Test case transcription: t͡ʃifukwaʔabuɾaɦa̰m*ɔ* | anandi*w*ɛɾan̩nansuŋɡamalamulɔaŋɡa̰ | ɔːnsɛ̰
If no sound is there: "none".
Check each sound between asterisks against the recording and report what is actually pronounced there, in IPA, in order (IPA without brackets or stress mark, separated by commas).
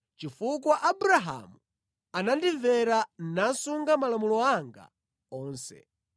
u, v